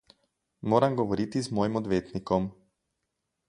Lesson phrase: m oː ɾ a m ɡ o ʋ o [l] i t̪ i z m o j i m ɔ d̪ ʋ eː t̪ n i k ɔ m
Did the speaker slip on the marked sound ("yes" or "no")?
yes